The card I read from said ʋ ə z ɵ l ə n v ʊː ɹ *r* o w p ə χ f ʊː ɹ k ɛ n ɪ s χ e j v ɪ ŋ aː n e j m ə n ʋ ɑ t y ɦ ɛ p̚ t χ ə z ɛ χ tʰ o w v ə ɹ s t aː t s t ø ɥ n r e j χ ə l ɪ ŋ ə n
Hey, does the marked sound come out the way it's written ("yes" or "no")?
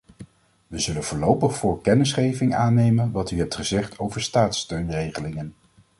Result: no